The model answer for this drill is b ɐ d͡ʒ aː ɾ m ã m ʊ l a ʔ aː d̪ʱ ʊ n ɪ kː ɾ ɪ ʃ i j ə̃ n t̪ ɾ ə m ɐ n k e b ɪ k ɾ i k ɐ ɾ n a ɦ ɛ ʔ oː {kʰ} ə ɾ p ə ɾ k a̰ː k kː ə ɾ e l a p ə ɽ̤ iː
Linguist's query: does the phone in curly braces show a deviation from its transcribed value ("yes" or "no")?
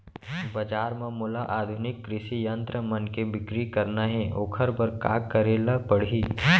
no